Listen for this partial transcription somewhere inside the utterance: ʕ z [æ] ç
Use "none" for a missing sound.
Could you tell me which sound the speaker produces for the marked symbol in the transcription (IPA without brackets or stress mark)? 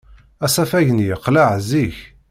i